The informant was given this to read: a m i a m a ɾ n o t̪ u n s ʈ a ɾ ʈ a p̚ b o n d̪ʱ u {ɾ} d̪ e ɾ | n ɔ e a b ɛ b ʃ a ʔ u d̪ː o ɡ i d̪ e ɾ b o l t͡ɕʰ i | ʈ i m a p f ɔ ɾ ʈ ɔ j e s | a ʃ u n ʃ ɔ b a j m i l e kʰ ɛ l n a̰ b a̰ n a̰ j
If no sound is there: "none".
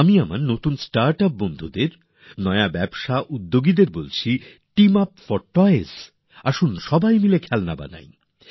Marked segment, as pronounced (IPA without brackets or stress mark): none